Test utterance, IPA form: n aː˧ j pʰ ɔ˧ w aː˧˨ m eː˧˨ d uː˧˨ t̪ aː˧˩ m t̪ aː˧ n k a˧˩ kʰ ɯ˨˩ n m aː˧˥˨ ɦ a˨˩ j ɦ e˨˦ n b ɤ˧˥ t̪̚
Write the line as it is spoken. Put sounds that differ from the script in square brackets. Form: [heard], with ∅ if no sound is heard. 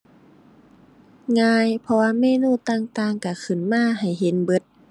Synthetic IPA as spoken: [ŋ] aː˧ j pʰ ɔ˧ w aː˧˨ m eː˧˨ [n] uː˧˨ t̪ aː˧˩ [ŋ] t̪ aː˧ [ŋ] k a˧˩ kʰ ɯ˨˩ n m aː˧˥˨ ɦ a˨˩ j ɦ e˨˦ n b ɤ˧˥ t̪̚